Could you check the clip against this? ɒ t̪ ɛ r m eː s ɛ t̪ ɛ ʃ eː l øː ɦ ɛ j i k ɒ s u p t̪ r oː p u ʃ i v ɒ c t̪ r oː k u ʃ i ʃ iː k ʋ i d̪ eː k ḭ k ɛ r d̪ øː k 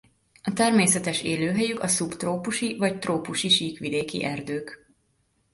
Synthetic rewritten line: ɒ t̪ ɛ r m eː s ɛ t̪ ɛ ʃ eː l øː ɦ ɛ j y k ɒ s u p t̪ r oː p u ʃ i v ɒ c t̪ r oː p u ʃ i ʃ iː k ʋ i d̪ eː k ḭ ʔ ɛ r d̪ øː k